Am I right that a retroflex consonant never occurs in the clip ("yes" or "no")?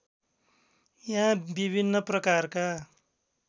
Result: yes